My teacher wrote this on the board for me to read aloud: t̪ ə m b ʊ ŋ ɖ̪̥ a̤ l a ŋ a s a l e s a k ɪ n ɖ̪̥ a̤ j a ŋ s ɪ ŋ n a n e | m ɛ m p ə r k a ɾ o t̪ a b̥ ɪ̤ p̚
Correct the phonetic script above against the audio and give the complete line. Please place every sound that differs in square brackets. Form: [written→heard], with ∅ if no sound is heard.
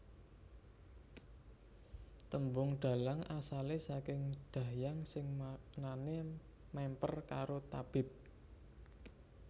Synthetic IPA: t̪ ə m b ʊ ŋ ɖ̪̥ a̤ l a ŋ a s a l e s a k ɪ [n→ŋ] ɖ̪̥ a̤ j a ŋ s ɪ ŋ n a n e | m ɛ m p ə r k a ɾ o t̪ a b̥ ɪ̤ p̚